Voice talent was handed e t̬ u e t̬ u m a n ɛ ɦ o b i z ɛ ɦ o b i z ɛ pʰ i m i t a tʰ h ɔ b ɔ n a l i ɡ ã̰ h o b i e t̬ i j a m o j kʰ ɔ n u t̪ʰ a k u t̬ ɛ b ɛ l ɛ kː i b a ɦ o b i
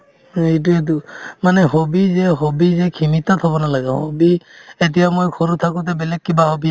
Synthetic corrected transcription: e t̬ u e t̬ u m a n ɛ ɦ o b i z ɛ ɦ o b i z ɛ kʰ i m i t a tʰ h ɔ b ɔ n a l a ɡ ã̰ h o b i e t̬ i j a m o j kʰ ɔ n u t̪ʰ a k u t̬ ɛ b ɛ l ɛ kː i b a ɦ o b i